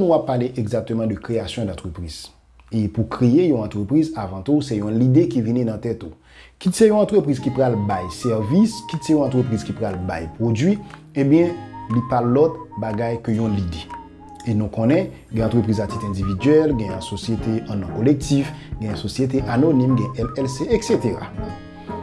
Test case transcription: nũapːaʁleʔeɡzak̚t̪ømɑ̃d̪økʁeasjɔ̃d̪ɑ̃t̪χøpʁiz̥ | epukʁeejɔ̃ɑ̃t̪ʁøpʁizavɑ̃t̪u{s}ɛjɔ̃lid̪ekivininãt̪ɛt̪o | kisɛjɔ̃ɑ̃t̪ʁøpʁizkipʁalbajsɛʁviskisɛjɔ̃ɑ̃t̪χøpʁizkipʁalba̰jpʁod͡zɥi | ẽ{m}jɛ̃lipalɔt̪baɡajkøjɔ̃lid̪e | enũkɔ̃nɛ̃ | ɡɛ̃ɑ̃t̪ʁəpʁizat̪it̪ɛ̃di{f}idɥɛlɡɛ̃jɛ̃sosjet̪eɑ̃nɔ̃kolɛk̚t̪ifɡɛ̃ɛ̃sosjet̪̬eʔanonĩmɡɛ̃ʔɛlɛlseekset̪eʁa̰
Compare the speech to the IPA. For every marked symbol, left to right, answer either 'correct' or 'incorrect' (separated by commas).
correct, incorrect, incorrect